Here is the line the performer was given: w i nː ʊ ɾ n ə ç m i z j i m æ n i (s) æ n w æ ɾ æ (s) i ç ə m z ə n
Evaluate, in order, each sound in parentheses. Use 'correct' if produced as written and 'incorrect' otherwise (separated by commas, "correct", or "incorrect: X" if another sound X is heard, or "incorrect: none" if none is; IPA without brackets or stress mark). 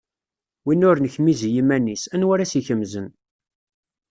correct, correct